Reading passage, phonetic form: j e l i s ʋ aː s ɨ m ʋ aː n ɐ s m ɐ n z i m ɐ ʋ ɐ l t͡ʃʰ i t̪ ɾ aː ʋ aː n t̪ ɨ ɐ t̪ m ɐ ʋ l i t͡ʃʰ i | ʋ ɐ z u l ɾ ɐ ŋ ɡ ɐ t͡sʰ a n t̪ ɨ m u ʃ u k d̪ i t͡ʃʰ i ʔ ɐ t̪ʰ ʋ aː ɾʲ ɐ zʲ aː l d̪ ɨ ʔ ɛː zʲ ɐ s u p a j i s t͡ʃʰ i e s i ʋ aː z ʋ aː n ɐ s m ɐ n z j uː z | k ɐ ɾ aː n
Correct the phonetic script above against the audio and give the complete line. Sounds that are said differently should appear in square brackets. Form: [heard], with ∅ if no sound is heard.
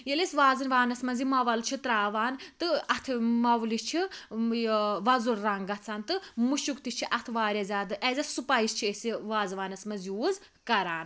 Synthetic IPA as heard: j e l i s ʋ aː [z] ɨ [n] ʋ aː n ɐ s m ɐ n z i m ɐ ʋ ɐ l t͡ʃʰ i t̪ ɾ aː ʋ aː n t̪ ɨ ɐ [t̪ʰ] m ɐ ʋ l i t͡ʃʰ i | ʋ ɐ z u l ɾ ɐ ŋ ɡ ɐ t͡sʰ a n t̪ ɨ m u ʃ u k [t̪] i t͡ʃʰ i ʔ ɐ t̪ʰ ʋ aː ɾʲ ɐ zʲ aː [∅] d̪ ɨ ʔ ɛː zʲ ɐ s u p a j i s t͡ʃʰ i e s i ʋ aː z ʋ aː n ɐ s m ɐ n z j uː z | k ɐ ɾ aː n